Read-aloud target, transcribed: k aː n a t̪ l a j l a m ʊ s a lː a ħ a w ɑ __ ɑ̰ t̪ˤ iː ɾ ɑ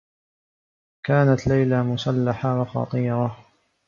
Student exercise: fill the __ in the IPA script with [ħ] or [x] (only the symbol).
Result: x